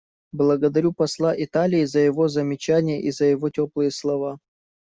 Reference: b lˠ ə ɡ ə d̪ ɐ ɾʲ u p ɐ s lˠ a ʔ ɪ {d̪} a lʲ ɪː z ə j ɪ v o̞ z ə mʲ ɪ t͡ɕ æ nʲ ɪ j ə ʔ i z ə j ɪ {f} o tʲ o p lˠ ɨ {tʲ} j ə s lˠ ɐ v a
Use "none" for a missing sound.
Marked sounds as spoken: t̪, v, none

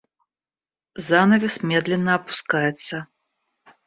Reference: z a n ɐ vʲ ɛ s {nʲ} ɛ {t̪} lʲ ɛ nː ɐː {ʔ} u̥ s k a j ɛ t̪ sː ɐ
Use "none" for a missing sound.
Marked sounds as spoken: mʲ, d̪, p

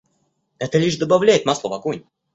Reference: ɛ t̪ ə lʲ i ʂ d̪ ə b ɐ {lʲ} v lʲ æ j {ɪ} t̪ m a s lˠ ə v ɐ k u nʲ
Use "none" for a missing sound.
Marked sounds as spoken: none, ɪ

